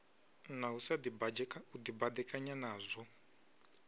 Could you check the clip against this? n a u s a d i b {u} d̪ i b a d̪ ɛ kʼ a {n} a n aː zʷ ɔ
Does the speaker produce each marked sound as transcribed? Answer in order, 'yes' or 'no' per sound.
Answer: yes, no

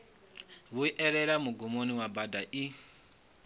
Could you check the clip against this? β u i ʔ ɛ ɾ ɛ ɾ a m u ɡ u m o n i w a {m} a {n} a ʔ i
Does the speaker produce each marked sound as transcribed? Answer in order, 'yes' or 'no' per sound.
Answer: no, no

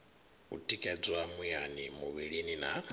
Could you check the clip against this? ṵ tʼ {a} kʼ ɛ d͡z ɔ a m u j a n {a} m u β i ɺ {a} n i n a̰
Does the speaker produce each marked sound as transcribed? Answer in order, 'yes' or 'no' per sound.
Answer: no, no, no

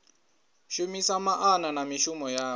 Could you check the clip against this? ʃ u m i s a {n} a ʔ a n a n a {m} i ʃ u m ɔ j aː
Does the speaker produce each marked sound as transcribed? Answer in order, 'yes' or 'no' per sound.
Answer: no, yes

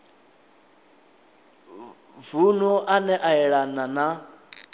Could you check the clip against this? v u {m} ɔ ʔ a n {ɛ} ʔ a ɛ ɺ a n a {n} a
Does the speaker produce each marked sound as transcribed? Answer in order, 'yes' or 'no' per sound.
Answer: no, yes, yes

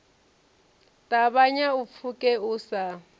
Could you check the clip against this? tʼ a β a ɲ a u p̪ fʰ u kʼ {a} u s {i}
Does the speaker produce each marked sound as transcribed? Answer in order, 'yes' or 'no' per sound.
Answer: no, no

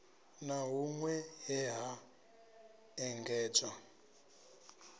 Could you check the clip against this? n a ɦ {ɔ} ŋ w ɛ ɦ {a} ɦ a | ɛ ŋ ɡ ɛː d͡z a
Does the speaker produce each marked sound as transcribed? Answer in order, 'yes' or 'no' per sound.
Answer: no, no

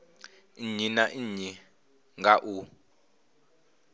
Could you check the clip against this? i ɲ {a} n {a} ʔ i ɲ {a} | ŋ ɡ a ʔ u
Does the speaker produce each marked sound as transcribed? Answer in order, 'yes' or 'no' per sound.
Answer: no, yes, no

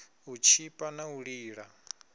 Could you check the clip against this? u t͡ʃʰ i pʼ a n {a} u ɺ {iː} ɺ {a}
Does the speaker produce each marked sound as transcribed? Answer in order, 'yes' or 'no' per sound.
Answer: yes, yes, yes

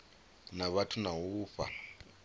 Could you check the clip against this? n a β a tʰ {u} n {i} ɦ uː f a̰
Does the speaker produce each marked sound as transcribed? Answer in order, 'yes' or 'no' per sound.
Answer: yes, no

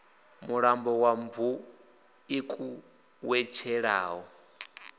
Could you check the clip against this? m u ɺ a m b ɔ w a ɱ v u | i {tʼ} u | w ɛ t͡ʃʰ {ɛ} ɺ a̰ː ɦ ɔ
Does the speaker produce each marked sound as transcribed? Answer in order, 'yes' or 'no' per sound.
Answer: no, yes

